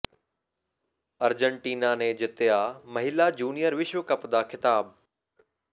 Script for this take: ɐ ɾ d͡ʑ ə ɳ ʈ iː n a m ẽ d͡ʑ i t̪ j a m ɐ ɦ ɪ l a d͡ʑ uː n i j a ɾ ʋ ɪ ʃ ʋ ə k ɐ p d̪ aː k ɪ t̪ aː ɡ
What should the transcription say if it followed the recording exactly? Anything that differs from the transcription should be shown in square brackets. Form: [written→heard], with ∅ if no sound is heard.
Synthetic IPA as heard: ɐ ɾ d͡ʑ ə ɳ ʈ iː n a [m→n] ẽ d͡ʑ [i→ɪ] t̪ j a m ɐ ɦ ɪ l a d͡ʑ uː n i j [a→ə] ɾ ʋ ɪ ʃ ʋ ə k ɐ p d̪ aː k ɪ t̪ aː [ɡ→b]